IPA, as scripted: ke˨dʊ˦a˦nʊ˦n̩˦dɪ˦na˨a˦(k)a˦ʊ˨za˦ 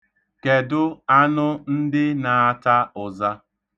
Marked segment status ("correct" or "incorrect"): incorrect